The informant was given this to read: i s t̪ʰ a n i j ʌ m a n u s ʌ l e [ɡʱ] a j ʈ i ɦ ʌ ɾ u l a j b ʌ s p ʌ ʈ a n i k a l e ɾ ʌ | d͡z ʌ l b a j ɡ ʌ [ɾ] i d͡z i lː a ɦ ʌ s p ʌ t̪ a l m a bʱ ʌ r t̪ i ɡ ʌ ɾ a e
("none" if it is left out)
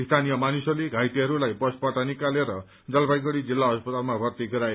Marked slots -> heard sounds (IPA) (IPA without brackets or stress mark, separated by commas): ɡʱ, ɽ